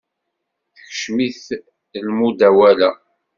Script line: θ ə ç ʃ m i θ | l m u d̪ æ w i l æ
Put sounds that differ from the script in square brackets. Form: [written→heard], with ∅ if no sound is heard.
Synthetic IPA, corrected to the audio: θ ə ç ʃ m i θ | l m u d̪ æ w [i→æ] l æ

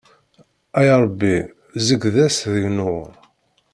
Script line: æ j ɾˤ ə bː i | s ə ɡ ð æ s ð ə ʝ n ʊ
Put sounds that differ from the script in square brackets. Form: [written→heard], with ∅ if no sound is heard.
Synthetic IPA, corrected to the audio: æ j ɾˤ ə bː i | [s→z] ə ɡ ð æ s ð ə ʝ n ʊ

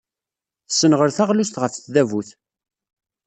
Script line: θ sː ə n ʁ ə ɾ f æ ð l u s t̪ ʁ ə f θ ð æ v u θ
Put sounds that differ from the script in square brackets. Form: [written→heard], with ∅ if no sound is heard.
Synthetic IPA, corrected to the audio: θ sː ə n ʁ ə ɾ [f→θ] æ [ð→ʁ] l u s t̪ ʁ ə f θ ð æ v u θ

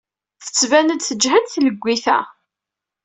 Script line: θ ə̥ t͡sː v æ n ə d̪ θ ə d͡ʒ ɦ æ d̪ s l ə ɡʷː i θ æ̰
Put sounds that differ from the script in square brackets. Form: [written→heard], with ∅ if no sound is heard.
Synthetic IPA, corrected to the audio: θ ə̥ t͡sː v æ n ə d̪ θ ə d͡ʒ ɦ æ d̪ [s→θ] l ə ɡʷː i θ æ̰

